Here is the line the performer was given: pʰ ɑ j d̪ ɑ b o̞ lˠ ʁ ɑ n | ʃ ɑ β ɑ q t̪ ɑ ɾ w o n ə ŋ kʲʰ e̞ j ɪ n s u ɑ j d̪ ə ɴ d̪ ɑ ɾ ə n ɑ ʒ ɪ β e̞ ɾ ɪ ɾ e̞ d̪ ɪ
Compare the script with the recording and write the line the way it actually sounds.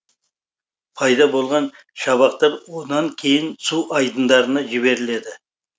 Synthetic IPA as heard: pʰ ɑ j d̪ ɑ b o̞ lˠ ʁ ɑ n | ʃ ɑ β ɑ q t̪ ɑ ɾ w o n ɑ ŋ kʲʰ e̞ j ɪ n s u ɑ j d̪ ə n d̪ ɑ ɾ ə n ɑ ʒ ɪ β e̞ ɾ ɪ l e̞ d̪ ɪ